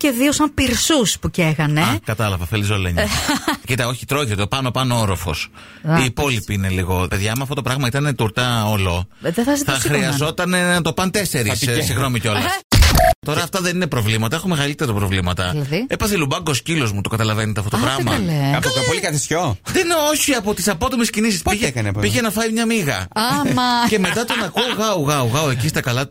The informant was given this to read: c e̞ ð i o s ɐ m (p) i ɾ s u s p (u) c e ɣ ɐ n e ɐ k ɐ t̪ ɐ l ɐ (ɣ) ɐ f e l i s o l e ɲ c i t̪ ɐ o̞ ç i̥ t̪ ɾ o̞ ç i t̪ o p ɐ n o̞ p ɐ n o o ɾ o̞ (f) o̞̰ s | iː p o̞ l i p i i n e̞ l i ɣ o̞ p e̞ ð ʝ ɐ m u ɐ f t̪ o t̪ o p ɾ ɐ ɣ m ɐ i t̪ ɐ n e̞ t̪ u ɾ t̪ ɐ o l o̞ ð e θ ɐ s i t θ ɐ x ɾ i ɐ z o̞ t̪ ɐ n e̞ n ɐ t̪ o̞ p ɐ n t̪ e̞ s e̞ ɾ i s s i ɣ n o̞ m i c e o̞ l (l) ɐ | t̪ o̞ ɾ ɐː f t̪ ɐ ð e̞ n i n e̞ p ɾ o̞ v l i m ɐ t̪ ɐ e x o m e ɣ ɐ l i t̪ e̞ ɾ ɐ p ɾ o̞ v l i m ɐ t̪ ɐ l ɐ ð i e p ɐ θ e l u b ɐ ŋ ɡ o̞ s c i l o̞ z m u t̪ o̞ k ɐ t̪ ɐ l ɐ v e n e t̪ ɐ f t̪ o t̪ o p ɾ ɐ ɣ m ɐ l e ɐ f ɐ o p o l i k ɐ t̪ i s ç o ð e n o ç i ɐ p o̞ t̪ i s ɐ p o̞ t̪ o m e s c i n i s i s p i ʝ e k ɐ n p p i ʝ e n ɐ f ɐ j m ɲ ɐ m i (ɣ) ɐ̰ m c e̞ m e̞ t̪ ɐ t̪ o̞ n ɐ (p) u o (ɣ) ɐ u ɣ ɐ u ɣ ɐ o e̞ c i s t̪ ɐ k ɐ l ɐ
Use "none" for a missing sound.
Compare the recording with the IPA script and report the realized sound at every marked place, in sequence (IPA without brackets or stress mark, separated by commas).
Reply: p, u, v, f, l, ɣ, k, ɣ